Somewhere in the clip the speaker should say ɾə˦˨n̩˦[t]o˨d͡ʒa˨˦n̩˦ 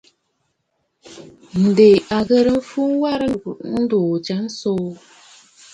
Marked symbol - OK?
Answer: no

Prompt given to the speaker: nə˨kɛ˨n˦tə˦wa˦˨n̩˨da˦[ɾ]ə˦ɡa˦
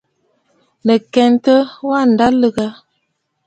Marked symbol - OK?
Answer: no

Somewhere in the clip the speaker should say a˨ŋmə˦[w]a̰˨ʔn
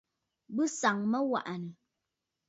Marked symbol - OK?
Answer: yes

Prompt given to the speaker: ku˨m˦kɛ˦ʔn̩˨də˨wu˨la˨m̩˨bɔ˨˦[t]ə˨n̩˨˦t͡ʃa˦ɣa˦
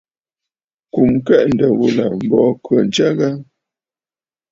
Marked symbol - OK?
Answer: no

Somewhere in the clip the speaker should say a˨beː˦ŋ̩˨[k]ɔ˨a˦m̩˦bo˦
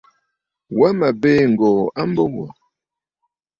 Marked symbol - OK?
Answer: no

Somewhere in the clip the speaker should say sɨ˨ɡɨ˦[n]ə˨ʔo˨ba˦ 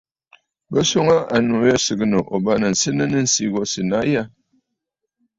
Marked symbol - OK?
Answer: yes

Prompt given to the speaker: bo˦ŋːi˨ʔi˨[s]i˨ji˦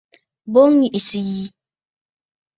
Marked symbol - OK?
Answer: yes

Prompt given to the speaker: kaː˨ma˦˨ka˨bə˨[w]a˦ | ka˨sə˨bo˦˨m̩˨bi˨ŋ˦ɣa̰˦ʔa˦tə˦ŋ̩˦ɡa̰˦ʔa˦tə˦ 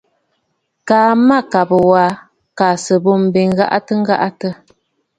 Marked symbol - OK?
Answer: yes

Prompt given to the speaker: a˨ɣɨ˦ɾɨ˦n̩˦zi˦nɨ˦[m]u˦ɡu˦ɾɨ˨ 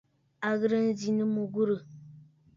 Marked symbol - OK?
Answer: yes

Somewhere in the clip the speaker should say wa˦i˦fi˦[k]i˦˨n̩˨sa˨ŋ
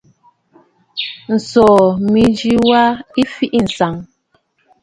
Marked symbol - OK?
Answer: no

